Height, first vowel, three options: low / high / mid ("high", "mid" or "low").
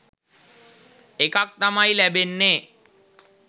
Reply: mid